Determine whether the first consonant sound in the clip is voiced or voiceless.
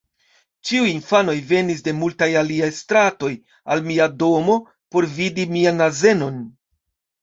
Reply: voiceless